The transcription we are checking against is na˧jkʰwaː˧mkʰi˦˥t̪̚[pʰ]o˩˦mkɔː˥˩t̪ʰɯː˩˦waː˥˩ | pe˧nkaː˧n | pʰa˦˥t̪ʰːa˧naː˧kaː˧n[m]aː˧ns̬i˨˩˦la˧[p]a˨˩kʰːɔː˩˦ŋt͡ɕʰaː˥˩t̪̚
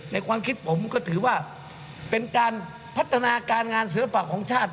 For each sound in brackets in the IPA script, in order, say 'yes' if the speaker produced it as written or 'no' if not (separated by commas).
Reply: yes, no, yes